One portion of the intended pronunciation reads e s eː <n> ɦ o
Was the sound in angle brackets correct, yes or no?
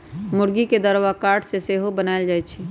no